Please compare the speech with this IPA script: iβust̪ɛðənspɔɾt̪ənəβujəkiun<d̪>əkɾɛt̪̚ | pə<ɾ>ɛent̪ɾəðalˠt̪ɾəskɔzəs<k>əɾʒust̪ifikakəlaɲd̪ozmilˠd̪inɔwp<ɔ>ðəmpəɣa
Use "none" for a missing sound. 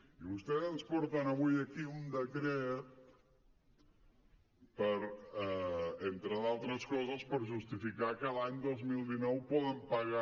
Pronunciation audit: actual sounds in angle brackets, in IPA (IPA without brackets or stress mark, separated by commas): d̪, ɾ, p, ɔ